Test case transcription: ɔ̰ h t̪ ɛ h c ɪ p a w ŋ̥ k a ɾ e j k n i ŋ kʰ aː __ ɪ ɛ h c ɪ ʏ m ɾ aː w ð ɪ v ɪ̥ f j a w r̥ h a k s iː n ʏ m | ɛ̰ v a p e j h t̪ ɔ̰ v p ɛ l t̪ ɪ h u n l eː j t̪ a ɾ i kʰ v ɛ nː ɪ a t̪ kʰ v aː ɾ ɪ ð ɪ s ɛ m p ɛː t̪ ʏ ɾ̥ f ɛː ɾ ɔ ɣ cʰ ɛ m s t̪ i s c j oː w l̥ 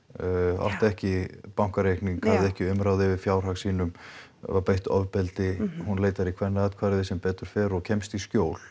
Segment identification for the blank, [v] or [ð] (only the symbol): ð